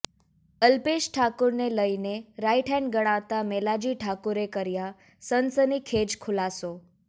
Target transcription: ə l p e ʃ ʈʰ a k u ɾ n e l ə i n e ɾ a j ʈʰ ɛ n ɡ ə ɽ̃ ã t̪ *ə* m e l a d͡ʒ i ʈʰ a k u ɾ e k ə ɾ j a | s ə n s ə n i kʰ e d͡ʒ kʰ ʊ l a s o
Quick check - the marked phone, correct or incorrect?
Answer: incorrect